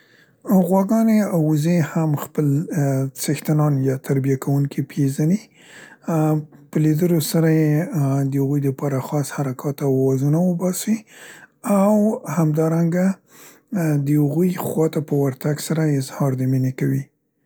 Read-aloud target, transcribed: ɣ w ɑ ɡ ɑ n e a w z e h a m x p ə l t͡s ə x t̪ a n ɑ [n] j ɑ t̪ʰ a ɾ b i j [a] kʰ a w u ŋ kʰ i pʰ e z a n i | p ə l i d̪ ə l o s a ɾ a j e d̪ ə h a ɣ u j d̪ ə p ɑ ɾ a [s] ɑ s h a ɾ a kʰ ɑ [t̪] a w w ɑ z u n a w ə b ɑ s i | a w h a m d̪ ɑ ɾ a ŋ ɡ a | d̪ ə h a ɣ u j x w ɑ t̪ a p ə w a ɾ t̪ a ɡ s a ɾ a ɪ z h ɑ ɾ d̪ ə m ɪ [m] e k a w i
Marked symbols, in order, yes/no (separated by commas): yes, yes, no, yes, no